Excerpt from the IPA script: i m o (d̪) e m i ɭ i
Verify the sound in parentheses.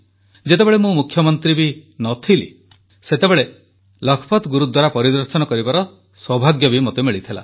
incorrect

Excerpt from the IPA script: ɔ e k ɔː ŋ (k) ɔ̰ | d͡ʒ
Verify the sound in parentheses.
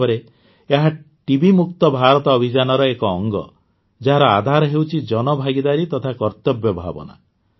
incorrect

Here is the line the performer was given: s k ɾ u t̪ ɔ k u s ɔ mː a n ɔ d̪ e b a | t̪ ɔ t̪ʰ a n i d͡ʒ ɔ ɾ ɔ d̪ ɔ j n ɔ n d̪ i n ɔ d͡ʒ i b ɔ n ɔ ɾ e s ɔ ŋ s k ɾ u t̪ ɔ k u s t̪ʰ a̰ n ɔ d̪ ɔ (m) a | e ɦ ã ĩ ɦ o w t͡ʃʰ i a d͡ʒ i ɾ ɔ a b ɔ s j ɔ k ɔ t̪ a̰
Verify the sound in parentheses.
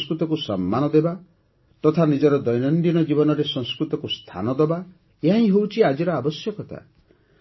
incorrect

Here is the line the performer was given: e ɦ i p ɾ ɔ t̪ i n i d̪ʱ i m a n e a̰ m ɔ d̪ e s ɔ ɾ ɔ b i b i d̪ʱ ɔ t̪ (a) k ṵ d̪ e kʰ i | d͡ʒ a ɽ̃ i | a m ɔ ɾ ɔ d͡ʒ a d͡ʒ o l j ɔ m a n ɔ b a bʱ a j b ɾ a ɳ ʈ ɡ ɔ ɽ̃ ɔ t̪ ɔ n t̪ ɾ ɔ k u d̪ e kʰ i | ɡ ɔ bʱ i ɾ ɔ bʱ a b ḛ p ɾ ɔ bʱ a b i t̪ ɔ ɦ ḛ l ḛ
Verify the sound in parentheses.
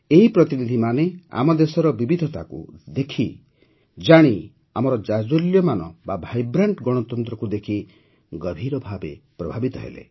correct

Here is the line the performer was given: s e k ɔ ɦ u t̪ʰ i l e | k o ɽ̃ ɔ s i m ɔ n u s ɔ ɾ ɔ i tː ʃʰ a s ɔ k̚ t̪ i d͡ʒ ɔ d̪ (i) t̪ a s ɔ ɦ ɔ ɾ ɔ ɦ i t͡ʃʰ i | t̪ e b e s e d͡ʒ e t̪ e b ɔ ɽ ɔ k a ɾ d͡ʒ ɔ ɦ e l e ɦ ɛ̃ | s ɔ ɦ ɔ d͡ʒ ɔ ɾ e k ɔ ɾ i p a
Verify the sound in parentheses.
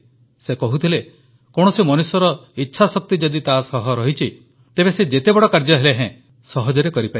correct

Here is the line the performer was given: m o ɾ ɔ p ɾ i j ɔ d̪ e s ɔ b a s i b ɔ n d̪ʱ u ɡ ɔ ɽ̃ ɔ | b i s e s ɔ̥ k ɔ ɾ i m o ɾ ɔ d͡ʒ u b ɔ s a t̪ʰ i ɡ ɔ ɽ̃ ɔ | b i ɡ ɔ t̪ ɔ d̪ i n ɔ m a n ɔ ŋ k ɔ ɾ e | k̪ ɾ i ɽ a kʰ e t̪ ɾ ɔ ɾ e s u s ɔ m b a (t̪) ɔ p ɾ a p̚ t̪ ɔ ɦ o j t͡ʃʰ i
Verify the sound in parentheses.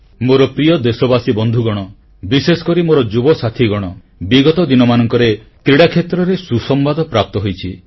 incorrect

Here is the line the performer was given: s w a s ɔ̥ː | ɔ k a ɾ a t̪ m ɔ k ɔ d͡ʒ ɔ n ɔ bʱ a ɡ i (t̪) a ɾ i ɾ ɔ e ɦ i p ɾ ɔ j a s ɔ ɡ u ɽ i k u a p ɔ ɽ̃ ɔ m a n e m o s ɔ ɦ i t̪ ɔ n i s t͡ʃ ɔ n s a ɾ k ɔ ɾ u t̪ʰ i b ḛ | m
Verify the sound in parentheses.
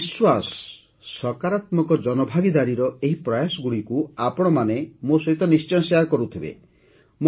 incorrect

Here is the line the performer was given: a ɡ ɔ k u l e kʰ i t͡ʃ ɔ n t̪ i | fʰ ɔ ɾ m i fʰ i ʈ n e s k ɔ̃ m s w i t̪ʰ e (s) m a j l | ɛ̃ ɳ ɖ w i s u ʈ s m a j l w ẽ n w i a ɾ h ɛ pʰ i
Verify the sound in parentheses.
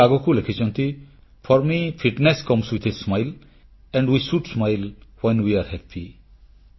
correct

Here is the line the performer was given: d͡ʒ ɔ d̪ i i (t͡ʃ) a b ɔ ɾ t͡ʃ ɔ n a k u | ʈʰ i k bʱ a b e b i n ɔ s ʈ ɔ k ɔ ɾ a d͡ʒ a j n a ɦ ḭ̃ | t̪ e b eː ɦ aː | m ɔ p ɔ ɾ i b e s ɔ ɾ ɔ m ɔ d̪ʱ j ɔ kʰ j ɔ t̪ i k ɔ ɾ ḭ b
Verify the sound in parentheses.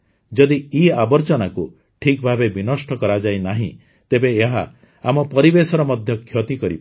incorrect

